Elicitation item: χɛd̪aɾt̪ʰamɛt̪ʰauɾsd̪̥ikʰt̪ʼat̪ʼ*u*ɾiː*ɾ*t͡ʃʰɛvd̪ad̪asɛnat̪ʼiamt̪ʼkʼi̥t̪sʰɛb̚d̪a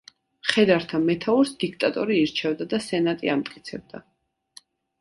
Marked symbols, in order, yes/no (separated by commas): no, yes